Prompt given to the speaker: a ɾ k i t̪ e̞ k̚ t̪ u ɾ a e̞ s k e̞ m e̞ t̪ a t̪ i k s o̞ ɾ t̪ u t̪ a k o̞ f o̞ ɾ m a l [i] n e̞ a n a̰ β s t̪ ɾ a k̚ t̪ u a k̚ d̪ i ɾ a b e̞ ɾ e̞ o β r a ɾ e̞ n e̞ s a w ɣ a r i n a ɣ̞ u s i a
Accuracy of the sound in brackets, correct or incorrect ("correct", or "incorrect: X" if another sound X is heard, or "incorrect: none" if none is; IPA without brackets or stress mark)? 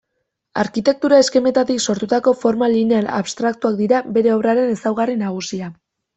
correct